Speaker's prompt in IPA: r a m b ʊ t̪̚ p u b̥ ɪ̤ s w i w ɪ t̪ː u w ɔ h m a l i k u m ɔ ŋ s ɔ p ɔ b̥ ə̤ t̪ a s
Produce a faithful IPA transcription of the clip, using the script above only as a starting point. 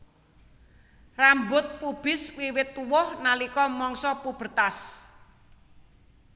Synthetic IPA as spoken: r a m b ʊ t̪̚ p u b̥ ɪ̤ s w i w ɪ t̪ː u w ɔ h n a l i k ɔ m ɔ ŋ s ɔ p u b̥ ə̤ t̪ a s